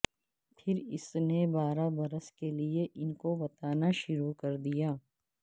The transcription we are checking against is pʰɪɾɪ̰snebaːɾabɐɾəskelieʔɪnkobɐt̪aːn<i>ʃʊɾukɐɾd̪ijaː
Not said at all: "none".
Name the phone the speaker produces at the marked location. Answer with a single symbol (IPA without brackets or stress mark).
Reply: a